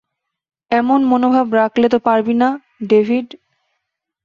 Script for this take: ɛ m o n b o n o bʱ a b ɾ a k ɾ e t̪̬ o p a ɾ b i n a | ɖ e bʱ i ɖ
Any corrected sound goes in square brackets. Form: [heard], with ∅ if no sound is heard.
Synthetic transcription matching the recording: ɛ m o n [m] o n o bʱ a b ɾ a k [l] e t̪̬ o p a ɾ b i n a | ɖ e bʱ i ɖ